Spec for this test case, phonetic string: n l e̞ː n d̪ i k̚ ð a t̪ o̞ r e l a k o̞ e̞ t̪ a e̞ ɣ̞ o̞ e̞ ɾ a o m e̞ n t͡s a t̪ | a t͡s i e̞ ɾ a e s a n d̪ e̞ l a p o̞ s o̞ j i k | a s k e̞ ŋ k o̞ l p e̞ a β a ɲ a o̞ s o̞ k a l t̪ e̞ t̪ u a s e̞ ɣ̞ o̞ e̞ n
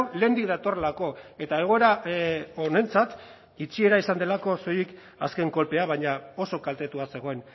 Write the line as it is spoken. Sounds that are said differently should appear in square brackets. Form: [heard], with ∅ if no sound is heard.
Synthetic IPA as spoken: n l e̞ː n d̪ i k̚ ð a t̪ o̞ r e l a k o̞ e̞ t̪ a e̞ ɣ̞ o̞ e̞ ɾ a o [n] e̞ n t͡s a t̪ | [i] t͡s i e̞ ɾ a [i] s a n d̪ e̞ l a [k] o̞ s o̞ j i k | a s k e̞ ŋ k o̞ l p e̞ a β a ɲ a o̞ s o̞ k a l t̪ e̞ t̪ u a s e̞ ɣ̞ o̞ e̞ n